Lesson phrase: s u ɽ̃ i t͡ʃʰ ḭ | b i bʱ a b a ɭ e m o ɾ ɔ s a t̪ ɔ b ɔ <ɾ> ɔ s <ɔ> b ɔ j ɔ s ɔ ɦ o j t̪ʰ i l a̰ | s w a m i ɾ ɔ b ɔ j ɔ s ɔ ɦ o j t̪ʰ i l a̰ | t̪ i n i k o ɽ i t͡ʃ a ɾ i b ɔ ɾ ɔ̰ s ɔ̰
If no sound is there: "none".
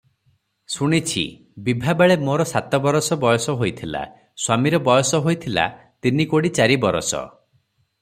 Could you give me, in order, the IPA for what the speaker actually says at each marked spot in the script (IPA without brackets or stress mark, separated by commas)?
ɾ, ɔ